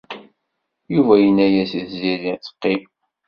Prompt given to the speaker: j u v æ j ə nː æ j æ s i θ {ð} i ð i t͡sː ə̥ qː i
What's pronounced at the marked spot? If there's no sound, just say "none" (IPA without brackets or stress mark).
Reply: z